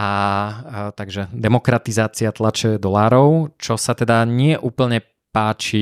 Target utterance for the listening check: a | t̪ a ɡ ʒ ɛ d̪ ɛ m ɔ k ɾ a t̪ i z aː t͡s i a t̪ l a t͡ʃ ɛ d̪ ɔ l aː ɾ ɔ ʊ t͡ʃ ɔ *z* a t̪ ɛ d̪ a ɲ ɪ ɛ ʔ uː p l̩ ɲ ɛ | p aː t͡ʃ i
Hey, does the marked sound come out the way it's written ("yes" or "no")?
no